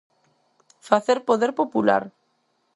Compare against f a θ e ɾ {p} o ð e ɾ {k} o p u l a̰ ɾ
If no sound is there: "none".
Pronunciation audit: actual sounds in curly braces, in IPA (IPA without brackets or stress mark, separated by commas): p, p